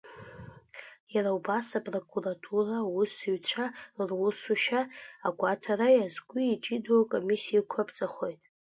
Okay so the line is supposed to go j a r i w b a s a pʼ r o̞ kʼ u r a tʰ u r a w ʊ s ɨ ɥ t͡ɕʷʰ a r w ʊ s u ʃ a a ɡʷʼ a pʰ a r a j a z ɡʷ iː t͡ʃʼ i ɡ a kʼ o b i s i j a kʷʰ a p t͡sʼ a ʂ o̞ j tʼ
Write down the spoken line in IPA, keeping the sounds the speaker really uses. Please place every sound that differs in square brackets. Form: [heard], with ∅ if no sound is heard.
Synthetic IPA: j a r [a] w b a s a pʼ r o̞ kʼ u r a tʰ u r a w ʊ s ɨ ɥ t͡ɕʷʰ a r w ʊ s u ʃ a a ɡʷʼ a [tʰ] a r a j a z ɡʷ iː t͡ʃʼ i [d] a kʼ o [m] i s i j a kʷʰ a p t͡sʼ a [χ] o̞ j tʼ

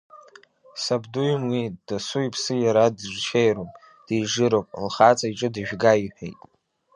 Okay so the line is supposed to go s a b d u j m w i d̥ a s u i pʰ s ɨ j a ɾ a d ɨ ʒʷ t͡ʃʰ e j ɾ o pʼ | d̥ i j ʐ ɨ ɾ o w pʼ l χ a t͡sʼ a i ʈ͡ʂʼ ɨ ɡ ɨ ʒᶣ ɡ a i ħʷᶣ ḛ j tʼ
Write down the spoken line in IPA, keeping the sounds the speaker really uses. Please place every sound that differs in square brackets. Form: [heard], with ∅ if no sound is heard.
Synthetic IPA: s a b d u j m w i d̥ a s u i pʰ s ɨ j a ɾ a d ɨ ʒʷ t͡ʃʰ e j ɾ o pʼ | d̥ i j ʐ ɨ ɾ o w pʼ l χ a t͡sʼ a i ʈ͡ʂʼ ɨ [d] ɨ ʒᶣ ɡ a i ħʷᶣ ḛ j tʼ

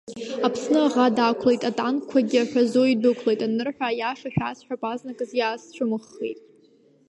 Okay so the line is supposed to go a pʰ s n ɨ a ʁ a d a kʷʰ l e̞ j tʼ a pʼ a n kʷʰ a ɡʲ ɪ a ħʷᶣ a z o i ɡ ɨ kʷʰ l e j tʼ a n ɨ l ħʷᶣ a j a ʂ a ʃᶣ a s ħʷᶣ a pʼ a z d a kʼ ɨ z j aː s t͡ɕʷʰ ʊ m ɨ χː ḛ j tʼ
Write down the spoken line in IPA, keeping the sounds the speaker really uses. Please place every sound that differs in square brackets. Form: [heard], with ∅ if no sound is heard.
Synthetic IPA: a pʰ s n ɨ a ʁ a d a kʷʰ l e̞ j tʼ a [tʼ] a n kʷʰ a ɡʲ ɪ a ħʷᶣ a z o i [d] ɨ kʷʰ l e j tʼ a n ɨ [r] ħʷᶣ a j a ʂ a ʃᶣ a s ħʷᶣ a pʼ a z [n] a kʼ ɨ z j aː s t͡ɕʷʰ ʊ m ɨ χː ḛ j tʼ

